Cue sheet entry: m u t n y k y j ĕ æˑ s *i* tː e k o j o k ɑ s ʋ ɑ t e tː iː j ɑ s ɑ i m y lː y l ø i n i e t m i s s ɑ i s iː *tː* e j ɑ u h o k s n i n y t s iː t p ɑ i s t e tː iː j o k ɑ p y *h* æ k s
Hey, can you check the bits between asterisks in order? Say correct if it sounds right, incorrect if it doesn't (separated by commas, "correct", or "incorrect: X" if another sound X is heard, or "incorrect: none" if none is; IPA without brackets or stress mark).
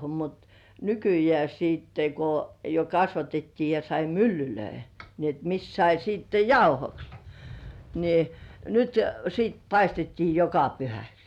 incorrect: iː, correct, correct